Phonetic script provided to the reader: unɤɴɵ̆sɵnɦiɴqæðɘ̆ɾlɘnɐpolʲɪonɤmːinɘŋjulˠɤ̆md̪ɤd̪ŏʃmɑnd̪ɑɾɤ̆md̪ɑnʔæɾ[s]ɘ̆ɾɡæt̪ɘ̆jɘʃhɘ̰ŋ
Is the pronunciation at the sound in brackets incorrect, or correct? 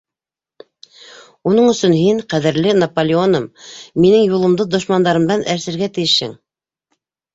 correct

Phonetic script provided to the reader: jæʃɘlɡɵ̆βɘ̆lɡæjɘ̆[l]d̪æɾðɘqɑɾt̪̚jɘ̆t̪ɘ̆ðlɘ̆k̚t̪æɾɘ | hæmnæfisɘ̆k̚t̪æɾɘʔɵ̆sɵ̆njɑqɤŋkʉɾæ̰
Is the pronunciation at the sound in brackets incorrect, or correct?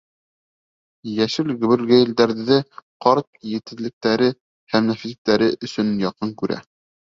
correct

